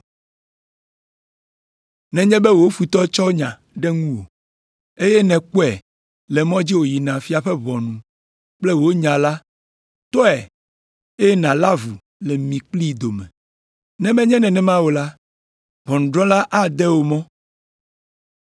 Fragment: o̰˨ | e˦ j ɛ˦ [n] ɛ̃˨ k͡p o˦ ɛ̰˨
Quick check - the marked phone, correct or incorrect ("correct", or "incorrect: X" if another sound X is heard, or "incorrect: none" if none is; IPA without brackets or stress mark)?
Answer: correct